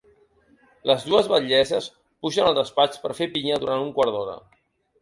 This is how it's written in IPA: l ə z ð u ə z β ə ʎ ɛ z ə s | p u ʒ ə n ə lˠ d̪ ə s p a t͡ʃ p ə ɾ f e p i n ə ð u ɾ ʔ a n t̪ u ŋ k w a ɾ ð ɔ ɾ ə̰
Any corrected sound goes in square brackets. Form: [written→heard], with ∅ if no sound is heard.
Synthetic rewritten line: l ə z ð u ə z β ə ʎ ɛ z ə s | p u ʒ ə n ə lˠ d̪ ə s p a t͡ʃ p ə ɾ f e p i [n→ɲ] ə ð u ɾ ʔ a n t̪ u ŋ k w a ɾ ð ɔ ɾ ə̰